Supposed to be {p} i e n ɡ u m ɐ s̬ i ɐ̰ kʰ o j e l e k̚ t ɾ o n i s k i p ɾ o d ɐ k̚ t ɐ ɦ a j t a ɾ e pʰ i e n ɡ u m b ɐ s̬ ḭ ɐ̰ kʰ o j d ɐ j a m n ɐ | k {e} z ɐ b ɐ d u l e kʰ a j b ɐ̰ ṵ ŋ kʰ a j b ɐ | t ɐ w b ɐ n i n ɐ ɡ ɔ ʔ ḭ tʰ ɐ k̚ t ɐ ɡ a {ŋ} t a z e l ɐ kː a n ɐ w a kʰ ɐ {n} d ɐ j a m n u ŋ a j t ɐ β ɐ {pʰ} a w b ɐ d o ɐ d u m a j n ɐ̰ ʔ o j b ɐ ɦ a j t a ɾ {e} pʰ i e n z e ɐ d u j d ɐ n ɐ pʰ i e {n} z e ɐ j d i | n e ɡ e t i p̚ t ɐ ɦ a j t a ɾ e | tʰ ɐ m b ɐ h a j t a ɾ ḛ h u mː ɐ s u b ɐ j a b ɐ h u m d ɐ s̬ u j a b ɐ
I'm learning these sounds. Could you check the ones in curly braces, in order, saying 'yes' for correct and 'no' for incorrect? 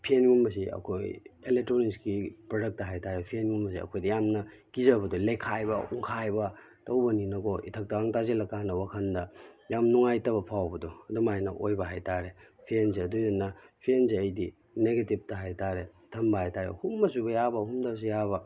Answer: no, no, yes, yes, yes, yes, yes

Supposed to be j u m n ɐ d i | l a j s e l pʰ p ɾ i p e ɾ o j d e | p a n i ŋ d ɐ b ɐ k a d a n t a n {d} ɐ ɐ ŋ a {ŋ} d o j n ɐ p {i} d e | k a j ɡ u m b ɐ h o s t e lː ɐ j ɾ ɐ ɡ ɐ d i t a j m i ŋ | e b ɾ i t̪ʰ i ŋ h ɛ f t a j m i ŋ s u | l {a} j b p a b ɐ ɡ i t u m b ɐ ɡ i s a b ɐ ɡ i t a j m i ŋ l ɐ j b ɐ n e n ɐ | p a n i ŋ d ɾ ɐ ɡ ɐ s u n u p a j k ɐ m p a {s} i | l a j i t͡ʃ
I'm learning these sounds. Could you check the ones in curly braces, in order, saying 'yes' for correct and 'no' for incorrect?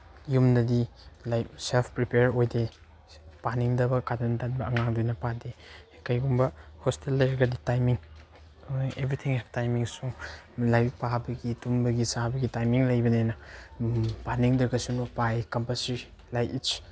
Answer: no, yes, no, yes, yes

